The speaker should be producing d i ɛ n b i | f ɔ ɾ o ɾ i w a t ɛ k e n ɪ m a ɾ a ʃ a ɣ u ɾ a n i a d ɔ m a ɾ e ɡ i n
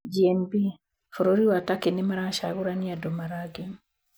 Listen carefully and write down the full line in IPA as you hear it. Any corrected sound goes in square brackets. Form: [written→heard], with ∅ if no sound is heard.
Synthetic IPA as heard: [d→d͡ʒ] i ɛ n b i | f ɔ ɾ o ɾ i w a t [ɛ→a] k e n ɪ m a ɾ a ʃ a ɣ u ɾ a n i a d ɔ m a ɾ [e→a] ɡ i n